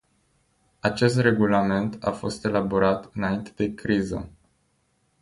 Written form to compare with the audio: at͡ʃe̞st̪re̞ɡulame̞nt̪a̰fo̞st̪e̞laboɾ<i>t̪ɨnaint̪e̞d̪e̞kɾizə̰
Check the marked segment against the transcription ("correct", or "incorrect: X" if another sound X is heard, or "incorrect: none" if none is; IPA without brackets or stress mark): incorrect: a